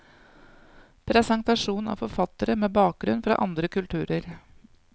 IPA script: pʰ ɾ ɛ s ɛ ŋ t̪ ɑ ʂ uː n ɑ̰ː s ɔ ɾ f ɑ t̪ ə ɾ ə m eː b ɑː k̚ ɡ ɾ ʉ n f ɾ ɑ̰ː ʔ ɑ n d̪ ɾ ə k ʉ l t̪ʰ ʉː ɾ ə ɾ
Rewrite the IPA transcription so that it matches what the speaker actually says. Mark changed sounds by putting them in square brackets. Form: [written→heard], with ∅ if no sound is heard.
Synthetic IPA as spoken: pʰ ɾ ɛ s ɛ ŋ t̪ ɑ ʂ uː n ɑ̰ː [s→f] ɔ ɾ f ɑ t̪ ə ɾ ə m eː b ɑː k̚ ɡ ɾ ʉ n f ɾ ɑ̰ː ʔ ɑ n d̪ ɾ ə k ʉ l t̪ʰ ʉː ɾ ə ɾ